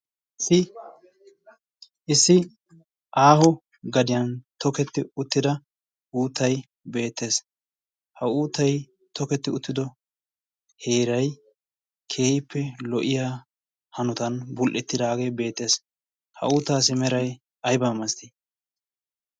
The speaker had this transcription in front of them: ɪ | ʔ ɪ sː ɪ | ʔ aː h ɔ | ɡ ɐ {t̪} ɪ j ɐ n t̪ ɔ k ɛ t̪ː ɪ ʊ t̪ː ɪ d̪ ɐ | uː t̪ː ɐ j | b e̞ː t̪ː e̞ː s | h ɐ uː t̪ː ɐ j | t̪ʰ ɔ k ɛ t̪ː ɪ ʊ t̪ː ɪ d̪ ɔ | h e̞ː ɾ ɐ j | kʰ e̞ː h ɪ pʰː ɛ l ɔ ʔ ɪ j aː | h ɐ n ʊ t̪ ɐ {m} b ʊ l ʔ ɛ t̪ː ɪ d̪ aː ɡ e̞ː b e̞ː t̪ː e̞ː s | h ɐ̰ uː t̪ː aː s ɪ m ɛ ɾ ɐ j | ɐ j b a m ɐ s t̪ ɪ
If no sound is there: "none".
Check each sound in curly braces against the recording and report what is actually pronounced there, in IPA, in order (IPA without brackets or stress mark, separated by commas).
d̪, n